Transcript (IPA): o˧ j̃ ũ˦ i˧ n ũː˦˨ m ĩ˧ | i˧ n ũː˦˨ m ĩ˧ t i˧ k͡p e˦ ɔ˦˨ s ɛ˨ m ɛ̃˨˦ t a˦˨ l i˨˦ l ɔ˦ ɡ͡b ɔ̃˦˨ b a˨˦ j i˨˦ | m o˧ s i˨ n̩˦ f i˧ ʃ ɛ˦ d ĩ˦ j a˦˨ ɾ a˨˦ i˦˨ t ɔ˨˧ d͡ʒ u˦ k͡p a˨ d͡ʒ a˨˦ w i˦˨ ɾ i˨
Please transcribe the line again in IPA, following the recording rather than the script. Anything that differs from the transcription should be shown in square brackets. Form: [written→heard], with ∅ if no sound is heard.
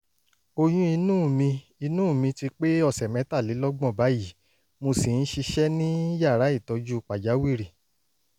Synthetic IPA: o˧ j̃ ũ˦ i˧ n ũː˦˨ m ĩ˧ | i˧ n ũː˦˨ m ĩ˧ t i˧ k͡p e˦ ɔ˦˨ s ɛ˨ m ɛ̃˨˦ t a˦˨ l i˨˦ l ɔ˦ ɡ͡b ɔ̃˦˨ b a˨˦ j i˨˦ | m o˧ s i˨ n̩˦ [f→ʃ] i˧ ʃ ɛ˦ [d→n] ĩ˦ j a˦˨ ɾ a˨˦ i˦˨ t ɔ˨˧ d͡ʒ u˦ k͡p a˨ d͡ʒ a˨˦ w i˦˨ ɾ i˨